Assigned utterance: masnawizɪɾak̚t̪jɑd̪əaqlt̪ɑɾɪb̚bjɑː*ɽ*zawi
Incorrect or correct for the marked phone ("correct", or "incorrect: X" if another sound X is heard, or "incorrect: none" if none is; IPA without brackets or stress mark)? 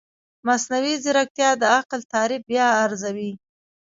incorrect: ɾ